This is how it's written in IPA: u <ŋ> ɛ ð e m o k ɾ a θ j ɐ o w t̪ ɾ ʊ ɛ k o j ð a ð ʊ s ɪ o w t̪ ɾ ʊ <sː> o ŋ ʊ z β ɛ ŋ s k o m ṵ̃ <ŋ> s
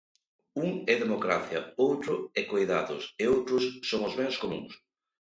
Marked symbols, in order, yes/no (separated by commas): yes, yes, yes